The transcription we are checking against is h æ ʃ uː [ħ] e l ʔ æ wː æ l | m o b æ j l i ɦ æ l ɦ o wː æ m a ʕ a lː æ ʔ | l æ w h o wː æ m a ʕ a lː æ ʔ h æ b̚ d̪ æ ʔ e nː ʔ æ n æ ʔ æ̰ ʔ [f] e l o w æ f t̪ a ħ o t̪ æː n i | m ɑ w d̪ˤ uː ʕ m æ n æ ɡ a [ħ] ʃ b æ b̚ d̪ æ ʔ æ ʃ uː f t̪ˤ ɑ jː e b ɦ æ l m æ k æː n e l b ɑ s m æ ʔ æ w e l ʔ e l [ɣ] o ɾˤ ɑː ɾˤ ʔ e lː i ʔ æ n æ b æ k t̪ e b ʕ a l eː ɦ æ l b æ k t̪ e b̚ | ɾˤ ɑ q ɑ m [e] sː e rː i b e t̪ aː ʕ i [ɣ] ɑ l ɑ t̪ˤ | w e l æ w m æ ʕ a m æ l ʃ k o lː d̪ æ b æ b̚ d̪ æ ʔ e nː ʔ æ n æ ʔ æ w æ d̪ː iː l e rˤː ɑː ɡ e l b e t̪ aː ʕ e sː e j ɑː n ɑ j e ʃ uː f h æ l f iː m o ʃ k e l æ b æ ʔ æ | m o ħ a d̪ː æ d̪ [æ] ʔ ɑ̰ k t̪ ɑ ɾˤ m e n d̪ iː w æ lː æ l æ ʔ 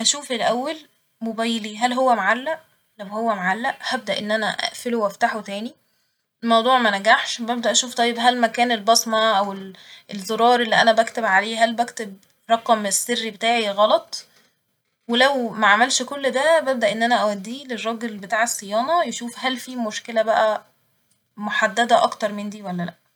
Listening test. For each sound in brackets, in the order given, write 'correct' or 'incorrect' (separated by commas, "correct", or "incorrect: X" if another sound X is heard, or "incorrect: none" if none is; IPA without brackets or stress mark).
incorrect: f, correct, correct, incorrect: z, correct, correct, correct